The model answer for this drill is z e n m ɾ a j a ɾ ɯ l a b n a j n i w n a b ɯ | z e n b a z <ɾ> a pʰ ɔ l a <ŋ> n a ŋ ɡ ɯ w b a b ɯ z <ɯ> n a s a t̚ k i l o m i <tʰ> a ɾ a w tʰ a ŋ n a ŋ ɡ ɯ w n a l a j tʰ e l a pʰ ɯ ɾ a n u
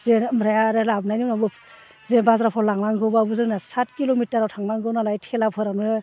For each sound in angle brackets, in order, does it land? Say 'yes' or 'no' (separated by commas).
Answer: yes, yes, yes, no